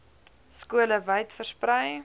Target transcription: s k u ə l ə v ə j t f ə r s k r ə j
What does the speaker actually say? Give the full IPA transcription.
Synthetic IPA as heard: s k u ə l ə v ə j t f ə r s p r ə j